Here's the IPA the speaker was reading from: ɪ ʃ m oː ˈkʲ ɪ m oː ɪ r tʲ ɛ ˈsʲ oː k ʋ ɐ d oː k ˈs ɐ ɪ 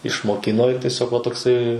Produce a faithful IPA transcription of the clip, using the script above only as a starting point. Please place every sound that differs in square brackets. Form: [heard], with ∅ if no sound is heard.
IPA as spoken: ɪ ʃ m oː ˈkʲ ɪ [n] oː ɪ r tʲ ɛ ˈsʲ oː k ʋ ɐ [t] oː k ˈs ɐ ɪ